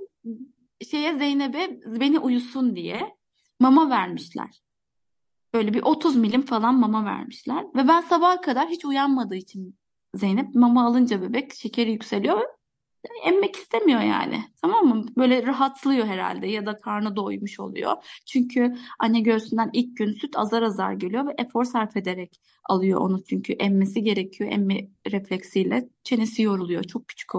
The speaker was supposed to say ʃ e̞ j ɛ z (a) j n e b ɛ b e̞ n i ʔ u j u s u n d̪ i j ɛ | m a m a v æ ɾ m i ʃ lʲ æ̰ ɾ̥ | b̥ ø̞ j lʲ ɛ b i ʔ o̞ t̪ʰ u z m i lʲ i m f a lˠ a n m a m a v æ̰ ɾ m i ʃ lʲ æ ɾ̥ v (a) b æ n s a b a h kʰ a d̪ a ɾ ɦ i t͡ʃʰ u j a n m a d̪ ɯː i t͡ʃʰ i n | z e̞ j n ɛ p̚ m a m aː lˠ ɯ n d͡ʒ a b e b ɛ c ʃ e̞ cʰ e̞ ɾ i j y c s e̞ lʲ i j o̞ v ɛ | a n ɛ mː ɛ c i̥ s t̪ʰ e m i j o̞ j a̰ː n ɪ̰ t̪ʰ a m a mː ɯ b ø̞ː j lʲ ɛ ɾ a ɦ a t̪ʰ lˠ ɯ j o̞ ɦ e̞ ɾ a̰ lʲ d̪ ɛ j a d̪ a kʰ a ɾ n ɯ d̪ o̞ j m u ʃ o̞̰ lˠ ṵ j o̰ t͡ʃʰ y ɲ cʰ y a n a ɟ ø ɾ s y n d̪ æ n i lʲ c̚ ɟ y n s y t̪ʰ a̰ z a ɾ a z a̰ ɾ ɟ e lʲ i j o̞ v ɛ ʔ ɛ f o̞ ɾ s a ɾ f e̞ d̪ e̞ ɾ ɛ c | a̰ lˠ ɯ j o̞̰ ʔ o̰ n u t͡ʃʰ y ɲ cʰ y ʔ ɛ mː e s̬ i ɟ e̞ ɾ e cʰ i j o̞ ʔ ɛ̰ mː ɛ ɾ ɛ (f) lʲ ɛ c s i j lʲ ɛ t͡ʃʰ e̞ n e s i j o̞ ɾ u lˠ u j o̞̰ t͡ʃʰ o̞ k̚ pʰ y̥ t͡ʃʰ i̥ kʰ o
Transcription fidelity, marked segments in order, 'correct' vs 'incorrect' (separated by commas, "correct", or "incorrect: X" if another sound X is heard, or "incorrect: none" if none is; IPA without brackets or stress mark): incorrect: e, incorrect: ɛ, correct